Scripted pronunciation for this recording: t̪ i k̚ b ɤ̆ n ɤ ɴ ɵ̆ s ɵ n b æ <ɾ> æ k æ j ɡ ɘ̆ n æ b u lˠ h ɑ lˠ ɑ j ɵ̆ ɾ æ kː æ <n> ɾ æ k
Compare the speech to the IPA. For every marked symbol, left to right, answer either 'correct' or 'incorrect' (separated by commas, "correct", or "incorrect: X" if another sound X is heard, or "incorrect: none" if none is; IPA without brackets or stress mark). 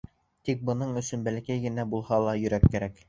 incorrect: l, incorrect: none